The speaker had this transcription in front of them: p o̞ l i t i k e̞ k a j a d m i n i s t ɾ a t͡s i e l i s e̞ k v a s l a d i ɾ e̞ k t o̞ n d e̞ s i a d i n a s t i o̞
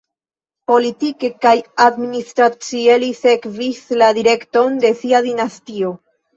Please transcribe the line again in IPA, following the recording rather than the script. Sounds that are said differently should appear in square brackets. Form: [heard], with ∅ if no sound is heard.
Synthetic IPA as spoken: p o̞ l i t i k e̞ k a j a d m i n i s t ɾ a t͡s i e l i s e̞ k v [i] s l a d i ɾ e̞ k t o̞ n d e̞ s i a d i n a s t i o̞

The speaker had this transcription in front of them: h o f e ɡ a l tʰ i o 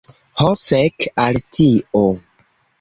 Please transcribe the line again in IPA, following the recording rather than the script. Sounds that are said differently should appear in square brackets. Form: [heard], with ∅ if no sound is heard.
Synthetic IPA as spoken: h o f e [k] a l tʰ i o

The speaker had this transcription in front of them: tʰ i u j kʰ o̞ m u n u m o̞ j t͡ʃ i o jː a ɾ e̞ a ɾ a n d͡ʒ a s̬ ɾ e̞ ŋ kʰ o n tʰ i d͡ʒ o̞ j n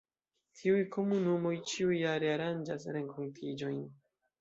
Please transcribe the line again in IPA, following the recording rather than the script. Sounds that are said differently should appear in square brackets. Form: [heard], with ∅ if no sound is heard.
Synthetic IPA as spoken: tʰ i u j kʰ o̞ m u n u m o̞ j t͡ʃ i [u] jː a ɾ e̞ a ɾ a n d͡ʒ a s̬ ɾ e̞ ŋ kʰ o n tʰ i d͡ʒ o̞ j n

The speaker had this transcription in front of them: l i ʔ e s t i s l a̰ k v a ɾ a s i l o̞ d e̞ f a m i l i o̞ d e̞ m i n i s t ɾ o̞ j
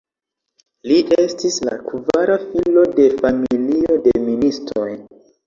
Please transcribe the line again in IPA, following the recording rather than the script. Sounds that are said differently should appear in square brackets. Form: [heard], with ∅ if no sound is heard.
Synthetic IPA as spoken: l i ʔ e s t i s l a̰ k v a ɾ a [f] i l o̞ d e̞ f a m i l i o̞ d e̞ m i n i s t ɾ o̞ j

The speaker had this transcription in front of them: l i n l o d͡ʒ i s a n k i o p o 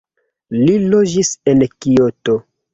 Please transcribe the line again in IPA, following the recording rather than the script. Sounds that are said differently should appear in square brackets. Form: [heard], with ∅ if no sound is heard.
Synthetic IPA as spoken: l i [∅] l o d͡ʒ i s [e] n k i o [t] o

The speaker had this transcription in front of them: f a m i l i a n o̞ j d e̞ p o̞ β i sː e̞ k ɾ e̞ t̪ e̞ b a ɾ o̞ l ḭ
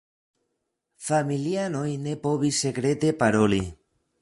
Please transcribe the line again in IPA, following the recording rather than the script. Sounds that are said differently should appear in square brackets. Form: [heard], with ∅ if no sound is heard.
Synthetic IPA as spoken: f a m i l i a n o̞ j [n] e̞ p o̞ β i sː e̞ k ɾ e̞ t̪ e̞ [p] a ɾ o̞ l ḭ

